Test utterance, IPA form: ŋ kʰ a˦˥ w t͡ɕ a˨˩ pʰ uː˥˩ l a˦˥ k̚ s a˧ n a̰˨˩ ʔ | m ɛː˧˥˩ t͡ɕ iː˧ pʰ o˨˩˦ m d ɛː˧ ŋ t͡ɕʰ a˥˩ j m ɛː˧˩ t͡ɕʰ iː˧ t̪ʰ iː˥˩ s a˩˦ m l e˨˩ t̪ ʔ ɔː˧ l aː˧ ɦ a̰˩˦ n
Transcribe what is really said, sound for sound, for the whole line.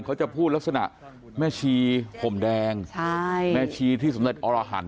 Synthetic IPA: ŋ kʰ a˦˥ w t͡ɕ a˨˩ pʰ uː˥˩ l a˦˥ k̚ s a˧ n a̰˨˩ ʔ | m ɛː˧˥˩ t͡ɕʰ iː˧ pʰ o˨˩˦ m d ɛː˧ ŋ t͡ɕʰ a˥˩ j m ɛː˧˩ t͡ɕʰ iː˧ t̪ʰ iː˥˩ s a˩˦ m l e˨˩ t̪ ʔ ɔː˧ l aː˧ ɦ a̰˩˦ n